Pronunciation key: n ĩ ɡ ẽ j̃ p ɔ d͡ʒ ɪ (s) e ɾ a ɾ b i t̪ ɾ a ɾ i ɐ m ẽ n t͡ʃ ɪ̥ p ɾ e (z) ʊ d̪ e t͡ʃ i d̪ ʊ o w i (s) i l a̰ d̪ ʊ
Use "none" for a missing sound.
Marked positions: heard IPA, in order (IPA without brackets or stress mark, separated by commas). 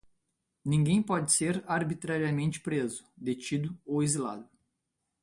s, z, z